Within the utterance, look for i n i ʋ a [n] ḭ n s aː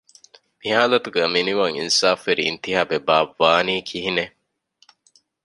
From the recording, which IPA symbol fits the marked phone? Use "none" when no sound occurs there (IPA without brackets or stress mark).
ŋ